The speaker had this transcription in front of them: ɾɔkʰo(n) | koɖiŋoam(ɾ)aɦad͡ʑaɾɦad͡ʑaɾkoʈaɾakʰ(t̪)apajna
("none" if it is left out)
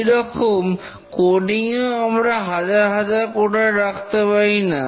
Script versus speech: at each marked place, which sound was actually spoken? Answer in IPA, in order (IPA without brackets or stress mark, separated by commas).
m, ɾ, t̪